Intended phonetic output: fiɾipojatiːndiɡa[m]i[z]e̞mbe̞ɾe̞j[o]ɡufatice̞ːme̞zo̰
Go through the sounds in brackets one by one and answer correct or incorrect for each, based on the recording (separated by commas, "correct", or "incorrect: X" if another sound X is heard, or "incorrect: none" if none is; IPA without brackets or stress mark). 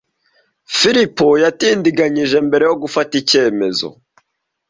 incorrect: ɲ, incorrect: ʒ, correct